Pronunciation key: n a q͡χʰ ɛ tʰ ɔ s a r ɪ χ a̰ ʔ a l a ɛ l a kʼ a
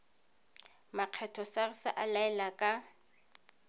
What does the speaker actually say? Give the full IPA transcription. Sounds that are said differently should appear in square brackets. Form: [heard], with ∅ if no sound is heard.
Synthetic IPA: [m] a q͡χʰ ɛ tʰ ɔ s a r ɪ [s] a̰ ʔ a l a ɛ l a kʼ a